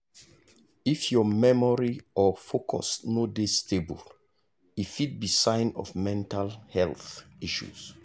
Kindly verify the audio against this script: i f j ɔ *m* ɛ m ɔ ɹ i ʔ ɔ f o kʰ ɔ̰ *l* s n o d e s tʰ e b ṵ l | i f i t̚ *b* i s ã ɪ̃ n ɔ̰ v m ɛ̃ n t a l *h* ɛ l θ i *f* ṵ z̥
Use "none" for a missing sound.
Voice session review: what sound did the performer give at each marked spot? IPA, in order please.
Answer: m, none, b, h, ʃ

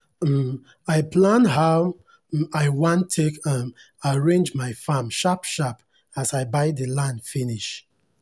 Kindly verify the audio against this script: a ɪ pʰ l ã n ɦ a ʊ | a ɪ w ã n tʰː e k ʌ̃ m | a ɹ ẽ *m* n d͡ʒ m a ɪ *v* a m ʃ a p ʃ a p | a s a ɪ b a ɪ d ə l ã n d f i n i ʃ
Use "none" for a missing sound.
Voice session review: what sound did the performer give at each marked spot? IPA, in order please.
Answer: none, f

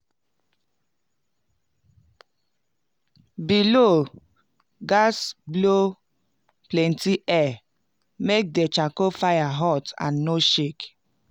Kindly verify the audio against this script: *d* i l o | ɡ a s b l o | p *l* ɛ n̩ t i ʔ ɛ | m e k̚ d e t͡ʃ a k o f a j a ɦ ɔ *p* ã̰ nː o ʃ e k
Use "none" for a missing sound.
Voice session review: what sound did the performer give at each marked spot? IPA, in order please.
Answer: b, l, t

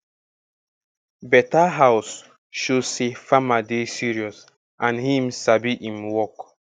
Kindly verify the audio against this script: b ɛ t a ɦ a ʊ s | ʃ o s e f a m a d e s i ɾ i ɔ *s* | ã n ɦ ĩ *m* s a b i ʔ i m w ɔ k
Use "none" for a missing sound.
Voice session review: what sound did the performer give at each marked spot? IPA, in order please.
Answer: s, m

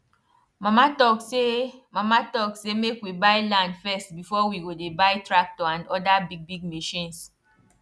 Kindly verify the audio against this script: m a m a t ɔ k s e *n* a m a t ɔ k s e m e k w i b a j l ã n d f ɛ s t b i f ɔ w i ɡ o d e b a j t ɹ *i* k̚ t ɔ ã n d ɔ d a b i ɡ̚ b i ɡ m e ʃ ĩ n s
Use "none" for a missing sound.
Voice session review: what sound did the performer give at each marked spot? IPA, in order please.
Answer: m, a

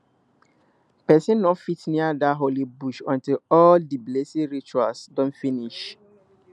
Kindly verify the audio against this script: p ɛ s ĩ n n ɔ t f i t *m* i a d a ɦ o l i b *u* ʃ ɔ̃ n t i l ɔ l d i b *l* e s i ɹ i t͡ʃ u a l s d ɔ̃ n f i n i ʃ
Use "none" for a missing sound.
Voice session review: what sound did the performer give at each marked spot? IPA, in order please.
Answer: n, u, l

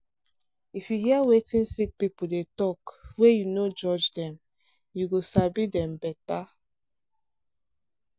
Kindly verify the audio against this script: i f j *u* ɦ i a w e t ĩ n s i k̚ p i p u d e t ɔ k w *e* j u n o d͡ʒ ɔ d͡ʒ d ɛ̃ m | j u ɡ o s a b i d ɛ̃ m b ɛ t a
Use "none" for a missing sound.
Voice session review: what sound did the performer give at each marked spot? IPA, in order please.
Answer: u, e

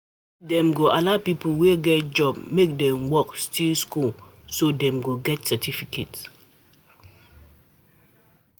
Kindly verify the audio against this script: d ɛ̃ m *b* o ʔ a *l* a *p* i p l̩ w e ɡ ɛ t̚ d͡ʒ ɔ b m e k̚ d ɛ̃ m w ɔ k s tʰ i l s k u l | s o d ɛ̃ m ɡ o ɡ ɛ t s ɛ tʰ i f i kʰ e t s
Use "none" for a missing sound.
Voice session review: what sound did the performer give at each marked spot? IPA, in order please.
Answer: ɡ, l, p

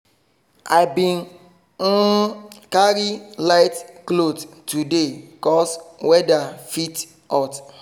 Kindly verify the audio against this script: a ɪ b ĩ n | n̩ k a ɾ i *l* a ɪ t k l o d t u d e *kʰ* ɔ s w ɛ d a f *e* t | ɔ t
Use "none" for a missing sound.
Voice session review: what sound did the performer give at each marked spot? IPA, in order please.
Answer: l, k, i

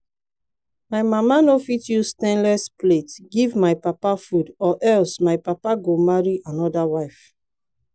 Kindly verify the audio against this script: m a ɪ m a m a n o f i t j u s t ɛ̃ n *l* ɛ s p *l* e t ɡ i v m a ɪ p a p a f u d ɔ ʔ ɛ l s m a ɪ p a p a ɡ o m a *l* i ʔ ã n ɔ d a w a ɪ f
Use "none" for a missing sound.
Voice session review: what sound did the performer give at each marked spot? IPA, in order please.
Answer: l, l, ɹ

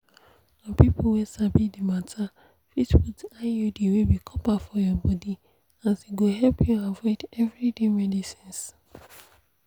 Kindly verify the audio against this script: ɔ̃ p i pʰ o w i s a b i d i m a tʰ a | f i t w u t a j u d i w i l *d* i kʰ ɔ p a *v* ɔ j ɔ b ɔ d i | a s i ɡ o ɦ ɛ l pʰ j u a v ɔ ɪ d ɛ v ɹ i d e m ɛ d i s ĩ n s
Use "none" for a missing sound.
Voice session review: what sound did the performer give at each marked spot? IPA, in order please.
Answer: b, f

